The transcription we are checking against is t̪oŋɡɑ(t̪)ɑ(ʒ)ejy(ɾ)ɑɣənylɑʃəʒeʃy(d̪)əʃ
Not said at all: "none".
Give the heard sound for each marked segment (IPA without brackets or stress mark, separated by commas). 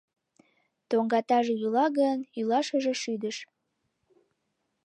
t̪, ʒ, l, d̪